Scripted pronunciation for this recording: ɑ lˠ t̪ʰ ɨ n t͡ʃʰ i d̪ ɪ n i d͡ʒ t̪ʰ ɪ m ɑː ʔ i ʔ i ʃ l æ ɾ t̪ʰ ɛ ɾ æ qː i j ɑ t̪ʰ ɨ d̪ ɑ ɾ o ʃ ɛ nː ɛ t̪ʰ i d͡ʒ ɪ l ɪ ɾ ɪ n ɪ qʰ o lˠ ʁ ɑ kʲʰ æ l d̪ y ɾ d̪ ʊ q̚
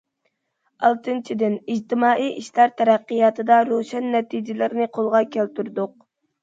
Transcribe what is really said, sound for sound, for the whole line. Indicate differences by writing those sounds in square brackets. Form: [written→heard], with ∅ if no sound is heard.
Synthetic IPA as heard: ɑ lˠ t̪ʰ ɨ n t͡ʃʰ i d̪ ɪ n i d͡ʒ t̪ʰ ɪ m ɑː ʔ i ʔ i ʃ l æ ɾ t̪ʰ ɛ ɾ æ qː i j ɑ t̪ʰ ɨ d̪ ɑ ɾ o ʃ ɛ nː ɛ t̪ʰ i d͡ʒ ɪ l ɪ ɾ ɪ n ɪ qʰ o lˠ ʁ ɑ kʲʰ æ l [d̪→t̪] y ɾ d̪ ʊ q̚

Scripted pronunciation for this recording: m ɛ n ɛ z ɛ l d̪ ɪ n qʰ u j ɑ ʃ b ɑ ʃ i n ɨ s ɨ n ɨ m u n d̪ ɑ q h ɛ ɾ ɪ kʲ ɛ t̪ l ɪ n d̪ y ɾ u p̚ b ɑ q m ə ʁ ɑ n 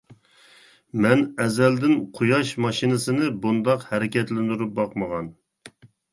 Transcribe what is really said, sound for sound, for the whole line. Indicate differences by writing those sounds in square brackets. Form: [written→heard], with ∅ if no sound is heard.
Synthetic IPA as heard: m ɛ n ɛ z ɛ l d̪ ɪ n qʰ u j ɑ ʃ [b→m] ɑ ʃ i n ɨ s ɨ n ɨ [m→b] u n d̪ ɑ q h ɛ ɾ ɪ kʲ ɛ t̪ l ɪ n d̪ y ɾ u p̚ b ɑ q m ə ʁ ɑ n

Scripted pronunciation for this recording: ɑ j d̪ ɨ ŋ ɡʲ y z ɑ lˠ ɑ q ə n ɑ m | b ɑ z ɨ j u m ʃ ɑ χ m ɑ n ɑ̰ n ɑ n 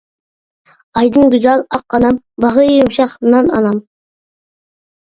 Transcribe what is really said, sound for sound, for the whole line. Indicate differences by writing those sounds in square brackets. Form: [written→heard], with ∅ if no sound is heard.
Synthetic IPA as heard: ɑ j d̪ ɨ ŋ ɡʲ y z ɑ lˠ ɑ q [ə→ɑ] n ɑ m | b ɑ [z→ʁ] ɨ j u m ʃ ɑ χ [m→n] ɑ n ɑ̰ n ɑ [n→m]

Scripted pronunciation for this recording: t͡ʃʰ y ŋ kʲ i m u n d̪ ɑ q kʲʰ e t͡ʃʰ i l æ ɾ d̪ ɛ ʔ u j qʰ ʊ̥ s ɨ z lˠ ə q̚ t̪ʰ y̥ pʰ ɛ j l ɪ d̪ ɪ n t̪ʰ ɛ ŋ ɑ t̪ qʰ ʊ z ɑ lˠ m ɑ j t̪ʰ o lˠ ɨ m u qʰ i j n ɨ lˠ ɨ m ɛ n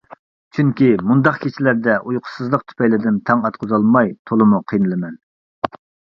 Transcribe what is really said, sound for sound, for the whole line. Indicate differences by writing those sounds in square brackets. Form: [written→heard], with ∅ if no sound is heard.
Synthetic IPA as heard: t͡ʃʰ y ŋ kʲ i m u n d̪ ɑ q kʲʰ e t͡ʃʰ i l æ ɾ d̪ ɛ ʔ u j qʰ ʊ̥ s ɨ z lˠ ə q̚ t̪ʰ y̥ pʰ ɛ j l ɪ d̪ ɪ n t̪ʰ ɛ ŋ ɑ t̪ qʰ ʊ z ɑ lˠ m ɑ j t̪ʰ o lˠ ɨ m u qʰ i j n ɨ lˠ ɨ m ɛ n

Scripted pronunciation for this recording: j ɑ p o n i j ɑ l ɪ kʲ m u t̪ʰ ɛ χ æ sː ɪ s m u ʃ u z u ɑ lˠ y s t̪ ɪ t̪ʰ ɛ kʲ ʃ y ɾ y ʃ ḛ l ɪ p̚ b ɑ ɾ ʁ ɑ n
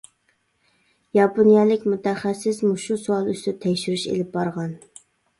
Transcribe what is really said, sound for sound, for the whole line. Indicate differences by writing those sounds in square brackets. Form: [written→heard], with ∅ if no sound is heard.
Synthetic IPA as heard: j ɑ p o n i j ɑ l ɪ kʲ m u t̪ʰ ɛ χ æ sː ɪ s m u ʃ u [z→s] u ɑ lˠ y s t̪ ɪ t̪ʰ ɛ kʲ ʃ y ɾ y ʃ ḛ l ɪ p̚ b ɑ ɾ ʁ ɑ n

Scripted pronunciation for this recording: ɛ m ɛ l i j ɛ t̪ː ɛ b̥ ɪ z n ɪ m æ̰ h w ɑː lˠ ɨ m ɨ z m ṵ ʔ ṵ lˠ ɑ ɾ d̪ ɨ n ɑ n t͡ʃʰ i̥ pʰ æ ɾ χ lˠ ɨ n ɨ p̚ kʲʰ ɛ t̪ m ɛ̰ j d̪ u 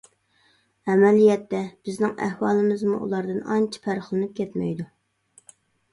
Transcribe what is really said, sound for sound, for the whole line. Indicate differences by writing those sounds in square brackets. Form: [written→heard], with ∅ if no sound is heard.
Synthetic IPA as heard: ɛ m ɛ l i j ɛ t̪ː ɛ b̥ ɪ z n ɪ [m→ŋ] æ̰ h w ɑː lˠ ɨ m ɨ z m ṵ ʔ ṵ lˠ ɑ ɾ d̪ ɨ n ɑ n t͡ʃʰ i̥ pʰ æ ɾ χ lˠ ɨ n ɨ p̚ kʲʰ ɛ t̪ m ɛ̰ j d̪ u

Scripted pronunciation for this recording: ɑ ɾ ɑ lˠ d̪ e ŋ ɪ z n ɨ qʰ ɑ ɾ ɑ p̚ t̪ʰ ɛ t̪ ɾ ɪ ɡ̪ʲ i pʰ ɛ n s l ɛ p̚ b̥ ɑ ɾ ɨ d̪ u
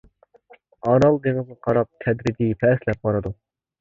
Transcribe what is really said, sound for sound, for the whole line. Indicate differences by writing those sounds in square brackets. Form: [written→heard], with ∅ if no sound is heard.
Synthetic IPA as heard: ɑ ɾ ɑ lˠ d̪ e ŋ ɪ z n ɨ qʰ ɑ ɾ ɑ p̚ t̪ʰ ɛ [t̪→d̪] ɾ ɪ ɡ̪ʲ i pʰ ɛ [n→∅] s l ɛ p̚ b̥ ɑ ɾ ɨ d̪ u

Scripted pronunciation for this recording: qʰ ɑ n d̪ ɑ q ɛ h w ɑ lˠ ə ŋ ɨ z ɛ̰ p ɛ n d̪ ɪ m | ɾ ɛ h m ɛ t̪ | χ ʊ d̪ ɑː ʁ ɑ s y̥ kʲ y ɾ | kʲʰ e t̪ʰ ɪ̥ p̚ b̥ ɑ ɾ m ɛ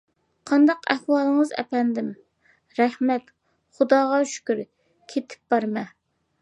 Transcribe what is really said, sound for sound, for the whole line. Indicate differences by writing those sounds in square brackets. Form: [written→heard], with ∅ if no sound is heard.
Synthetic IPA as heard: qʰ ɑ n d̪ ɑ q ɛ h w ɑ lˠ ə ŋ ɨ z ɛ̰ p ɛ n d̪ ɪ m | ɾ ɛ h m ɛ t̪ | χ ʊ d̪ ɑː ʁ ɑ [s→ʃ] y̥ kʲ y ɾ | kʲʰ e t̪ʰ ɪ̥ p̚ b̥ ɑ ɾ m ɛ

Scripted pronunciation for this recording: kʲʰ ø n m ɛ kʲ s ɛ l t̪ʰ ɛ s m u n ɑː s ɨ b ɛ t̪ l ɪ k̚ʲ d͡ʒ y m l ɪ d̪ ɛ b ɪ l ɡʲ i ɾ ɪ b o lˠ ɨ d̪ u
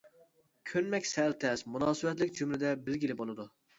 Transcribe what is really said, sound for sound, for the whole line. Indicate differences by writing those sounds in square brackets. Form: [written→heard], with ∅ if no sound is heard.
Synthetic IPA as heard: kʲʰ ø n m ɛ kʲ s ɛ l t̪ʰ ɛ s m u n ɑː s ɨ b ɛ t̪ l ɪ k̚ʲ d͡ʒ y m l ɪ d̪ ɛ b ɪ l ɡʲ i [ɾ→l] ɪ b o lˠ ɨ d̪ u

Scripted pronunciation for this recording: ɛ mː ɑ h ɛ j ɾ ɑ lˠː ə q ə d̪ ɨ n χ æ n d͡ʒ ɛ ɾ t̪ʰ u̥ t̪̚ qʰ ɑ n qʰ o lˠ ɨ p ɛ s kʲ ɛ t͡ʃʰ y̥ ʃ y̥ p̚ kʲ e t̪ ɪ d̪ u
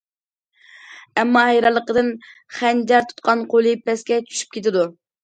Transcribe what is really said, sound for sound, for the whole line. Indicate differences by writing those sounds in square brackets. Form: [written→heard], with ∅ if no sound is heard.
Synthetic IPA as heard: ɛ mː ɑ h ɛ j ɾ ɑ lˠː ə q ə d̪ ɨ n χ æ n d͡ʒ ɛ ɾ t̪ʰ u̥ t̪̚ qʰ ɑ n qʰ o lˠ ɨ p ɛ s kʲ ɛ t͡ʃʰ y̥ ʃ y̥ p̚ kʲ e t̪ ɪ d̪ u

